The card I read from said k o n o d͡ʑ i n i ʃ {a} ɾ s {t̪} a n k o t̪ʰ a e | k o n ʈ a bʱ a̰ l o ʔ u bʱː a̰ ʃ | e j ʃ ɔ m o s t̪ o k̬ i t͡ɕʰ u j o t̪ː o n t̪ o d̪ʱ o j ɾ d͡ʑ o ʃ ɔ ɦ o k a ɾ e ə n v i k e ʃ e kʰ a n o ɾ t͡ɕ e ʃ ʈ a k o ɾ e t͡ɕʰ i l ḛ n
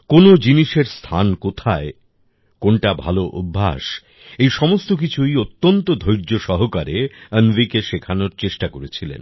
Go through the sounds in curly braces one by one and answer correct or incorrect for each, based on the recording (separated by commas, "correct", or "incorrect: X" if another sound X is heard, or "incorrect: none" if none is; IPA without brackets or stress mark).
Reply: incorrect: e, incorrect: t̪ʰ